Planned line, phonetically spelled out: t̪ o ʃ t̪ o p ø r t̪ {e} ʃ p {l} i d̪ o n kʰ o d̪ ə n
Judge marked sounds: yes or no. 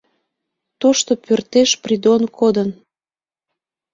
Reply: yes, no

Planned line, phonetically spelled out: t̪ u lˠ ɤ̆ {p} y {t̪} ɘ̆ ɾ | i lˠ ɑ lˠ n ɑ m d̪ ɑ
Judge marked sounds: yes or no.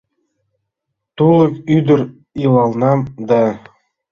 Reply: no, no

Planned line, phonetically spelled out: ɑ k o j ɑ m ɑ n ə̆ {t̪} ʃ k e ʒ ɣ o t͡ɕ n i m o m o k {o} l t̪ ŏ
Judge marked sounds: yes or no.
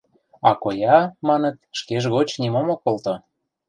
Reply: yes, yes

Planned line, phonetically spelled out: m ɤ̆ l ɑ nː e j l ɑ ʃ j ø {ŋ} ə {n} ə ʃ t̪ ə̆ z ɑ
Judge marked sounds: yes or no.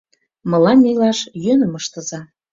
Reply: no, no

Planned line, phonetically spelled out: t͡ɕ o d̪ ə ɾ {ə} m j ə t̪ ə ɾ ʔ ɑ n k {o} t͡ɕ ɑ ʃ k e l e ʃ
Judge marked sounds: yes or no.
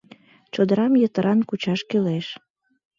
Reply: no, no

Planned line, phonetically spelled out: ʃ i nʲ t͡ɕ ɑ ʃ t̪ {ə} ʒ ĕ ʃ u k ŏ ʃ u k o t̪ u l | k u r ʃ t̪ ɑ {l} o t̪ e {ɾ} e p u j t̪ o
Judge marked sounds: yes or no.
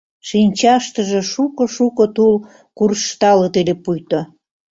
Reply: yes, yes, no

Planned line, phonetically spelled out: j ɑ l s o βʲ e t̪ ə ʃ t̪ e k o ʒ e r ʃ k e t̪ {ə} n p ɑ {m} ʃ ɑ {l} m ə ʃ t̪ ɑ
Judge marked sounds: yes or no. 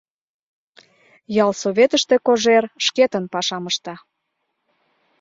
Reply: yes, no, no

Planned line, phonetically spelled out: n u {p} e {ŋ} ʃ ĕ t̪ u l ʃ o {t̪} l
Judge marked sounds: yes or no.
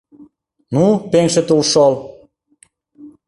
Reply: yes, yes, no

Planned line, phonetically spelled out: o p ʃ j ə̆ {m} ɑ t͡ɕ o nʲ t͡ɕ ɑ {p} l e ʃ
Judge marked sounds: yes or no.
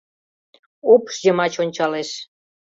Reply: yes, no

